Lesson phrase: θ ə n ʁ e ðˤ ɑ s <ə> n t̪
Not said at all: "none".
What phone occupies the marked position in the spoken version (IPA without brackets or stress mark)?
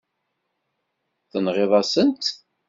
ə